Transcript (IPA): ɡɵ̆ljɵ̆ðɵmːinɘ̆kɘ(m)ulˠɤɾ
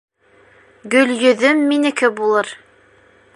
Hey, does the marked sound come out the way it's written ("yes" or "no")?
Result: no